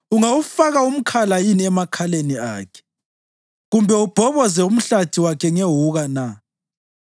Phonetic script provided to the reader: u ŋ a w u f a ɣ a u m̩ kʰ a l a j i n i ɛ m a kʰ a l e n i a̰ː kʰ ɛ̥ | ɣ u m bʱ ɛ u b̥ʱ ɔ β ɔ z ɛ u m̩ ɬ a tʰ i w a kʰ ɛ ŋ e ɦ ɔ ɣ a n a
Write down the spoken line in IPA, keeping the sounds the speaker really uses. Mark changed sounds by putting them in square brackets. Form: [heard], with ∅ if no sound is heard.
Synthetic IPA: u ŋ a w u f a ɣ a u m̩ kʰ a l a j i n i ɛ m a kʰ a l e n i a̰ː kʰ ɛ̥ | ɣ u m bʱ ɛ u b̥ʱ ɔ β ɔ z ɛ u m̩ ɬ a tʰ i w a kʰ ɛ ŋ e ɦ [u] ɣ a n a